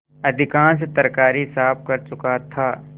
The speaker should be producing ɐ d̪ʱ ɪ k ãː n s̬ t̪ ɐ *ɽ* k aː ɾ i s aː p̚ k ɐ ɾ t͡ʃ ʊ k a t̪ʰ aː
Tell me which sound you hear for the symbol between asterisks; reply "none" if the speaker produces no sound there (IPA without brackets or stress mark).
ɾ